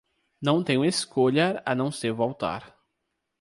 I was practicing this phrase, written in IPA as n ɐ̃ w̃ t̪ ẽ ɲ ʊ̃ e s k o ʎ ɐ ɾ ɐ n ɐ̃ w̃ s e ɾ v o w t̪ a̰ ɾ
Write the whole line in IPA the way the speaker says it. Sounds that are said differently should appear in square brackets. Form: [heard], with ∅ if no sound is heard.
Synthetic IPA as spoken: n ɐ̃ w̃ t̪ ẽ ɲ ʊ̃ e s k o ʎ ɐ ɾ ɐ n ɐ̃ w̃ s e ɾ v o w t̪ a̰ ɾ